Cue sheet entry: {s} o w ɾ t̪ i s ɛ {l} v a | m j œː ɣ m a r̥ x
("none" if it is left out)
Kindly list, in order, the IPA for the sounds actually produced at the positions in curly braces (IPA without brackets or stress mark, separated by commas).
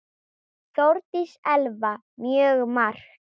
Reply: θ, l